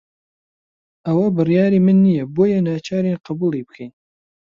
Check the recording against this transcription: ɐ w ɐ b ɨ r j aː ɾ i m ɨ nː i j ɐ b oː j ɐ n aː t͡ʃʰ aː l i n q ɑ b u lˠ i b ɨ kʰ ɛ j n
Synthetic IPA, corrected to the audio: ɐ w ɐ b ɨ r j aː ɾ i m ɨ nː i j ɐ b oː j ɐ n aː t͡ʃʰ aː ɾ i n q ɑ b u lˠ i b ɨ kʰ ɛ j n